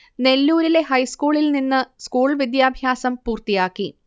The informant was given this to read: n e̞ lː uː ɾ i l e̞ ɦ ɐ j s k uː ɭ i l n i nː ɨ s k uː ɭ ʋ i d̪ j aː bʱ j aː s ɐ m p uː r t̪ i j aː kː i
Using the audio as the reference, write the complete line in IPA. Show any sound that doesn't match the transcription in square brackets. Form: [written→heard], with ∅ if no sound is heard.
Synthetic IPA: n e̞ lː uː ɾ i l e̞ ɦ ɐ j s k uː ɭ i l n i nː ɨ s k uː ɭ ʋ i d̪ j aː bʱ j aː s ɐ m p uː r t̪ i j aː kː i